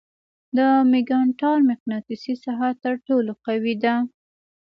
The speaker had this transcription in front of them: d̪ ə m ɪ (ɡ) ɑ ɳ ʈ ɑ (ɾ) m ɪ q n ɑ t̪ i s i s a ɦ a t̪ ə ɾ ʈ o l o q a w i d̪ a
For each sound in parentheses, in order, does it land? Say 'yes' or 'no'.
yes, yes

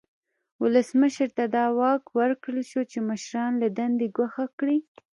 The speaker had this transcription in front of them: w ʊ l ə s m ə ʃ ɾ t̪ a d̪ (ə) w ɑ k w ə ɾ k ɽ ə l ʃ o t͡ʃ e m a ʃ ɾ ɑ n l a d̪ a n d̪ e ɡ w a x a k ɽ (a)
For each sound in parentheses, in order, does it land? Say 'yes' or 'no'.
no, no

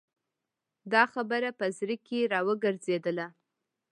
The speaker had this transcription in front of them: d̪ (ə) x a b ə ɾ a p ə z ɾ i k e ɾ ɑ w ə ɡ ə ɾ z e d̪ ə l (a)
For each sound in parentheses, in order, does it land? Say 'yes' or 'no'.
no, yes

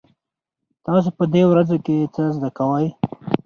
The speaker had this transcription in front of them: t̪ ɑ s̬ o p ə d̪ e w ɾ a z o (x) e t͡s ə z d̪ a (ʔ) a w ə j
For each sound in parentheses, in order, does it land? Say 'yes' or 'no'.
no, no

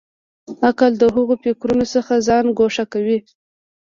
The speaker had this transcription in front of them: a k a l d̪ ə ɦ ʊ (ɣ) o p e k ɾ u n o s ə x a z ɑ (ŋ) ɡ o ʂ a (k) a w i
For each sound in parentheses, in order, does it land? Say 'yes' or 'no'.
yes, no, yes

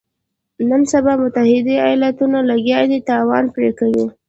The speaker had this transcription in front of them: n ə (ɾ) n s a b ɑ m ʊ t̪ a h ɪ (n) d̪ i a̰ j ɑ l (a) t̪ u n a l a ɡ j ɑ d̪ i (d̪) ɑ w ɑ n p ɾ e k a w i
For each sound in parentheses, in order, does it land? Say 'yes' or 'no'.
no, no, yes, no

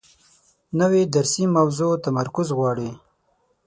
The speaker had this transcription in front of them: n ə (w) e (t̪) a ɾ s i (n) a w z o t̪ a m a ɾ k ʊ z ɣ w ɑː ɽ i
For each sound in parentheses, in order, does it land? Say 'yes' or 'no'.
yes, no, no

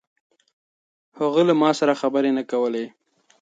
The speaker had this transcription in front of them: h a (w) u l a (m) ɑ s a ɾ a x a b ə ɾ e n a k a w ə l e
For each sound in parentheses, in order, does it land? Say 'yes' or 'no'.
no, yes

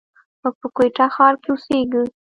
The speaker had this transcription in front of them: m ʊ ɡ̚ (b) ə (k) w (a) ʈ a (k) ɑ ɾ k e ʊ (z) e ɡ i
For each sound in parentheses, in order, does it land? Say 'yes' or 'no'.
no, yes, no, no, no

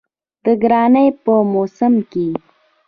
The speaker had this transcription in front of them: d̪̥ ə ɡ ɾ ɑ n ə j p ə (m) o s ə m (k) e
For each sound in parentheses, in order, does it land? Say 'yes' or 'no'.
yes, yes

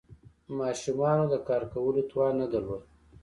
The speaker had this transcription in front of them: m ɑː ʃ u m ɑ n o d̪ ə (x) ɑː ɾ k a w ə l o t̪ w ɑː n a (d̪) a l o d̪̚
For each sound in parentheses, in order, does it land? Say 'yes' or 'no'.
no, yes

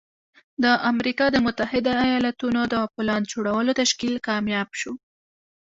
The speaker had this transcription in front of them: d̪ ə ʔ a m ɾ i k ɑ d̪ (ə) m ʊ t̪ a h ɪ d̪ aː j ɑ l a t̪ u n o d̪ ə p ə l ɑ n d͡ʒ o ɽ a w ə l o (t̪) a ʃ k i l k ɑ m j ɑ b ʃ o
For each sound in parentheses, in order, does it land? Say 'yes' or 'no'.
yes, yes

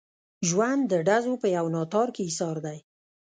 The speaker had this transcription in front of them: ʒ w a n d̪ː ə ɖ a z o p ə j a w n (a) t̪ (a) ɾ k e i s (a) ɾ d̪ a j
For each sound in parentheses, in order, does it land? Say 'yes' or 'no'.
no, no, no

